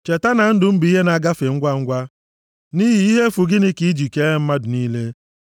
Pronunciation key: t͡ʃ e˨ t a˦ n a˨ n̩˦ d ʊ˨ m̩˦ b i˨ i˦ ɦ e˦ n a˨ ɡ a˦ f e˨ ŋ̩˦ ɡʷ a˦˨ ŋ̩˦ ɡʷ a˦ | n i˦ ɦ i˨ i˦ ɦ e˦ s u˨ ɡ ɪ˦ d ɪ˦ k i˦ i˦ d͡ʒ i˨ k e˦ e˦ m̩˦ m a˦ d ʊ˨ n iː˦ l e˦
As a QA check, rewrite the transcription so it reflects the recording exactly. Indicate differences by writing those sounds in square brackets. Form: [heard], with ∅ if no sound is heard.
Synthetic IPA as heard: t͡ʃ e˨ t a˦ n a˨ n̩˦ d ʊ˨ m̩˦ b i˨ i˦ ɦ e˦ n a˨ ɡ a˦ f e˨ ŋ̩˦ ɡʷ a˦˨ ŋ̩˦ ɡʷ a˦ | n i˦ ɦ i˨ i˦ ɦ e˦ [f] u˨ ɡ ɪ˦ [n] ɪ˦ k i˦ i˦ d͡ʒ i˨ k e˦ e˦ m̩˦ m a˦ d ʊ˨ n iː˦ l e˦